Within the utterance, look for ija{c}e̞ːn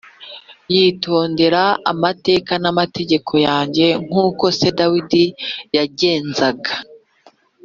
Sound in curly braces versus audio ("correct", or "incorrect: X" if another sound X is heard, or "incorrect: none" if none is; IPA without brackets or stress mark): incorrect: ɟ